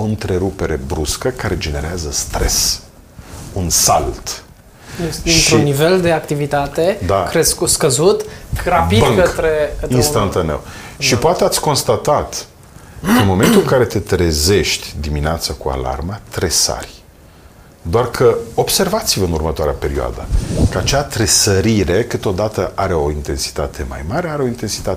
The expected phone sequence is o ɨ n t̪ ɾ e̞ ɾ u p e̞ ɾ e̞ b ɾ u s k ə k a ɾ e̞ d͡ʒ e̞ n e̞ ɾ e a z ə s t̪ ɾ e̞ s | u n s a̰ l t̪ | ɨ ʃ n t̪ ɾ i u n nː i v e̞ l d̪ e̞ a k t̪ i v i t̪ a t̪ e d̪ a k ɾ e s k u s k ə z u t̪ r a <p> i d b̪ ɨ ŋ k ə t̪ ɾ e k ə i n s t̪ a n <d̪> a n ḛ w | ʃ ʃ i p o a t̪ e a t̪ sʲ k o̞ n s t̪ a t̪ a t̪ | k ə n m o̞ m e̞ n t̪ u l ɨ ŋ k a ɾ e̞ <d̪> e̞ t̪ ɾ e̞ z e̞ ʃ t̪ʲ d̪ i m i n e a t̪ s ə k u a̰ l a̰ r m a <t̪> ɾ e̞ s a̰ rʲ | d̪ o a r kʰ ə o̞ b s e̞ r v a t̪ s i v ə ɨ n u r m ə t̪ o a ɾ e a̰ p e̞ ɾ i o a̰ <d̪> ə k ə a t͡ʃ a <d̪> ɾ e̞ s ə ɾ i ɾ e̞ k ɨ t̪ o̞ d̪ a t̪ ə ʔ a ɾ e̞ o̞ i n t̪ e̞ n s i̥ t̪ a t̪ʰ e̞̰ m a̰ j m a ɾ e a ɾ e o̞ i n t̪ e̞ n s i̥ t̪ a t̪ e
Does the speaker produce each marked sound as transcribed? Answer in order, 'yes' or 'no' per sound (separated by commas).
yes, no, no, yes, yes, no